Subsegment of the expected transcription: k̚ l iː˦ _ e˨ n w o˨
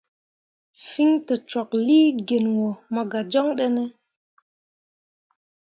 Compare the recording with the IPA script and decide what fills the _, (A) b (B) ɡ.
B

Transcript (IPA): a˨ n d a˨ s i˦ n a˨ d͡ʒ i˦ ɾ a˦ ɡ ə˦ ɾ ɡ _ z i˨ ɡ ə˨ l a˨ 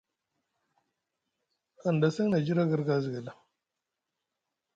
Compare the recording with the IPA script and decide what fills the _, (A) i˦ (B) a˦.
B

